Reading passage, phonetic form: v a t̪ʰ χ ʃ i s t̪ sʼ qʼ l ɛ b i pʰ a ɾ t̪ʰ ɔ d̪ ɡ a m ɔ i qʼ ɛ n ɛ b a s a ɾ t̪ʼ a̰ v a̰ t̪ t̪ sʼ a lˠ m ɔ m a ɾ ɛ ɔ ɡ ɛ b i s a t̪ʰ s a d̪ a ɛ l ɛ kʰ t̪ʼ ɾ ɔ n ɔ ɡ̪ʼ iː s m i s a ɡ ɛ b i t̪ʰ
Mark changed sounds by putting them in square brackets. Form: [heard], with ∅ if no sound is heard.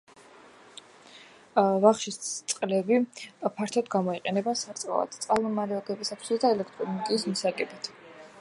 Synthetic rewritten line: v a [∅] χ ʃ i s t̪ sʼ qʼ l ɛ b i pʰ a ɾ t̪ʰ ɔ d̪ ɡ a m ɔ i qʼ ɛ n ɛ b a s a ɾ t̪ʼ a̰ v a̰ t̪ t̪ sʼ a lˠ m ɔ m a ɾ ɛ ɔ ɡ ɛ b i s a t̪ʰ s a d̪ a ɛ l ɛ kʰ t̪ʼ ɾ ɔ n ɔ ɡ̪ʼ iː s m i s a ɡ ɛ b i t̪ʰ